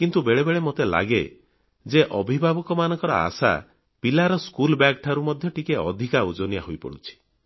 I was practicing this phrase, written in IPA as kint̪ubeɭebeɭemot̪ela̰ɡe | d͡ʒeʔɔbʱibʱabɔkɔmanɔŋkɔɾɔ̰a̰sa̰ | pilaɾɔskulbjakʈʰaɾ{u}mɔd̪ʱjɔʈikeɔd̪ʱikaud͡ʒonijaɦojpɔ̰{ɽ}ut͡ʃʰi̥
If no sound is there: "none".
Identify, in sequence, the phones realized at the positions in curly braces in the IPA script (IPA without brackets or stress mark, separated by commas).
u, ɽ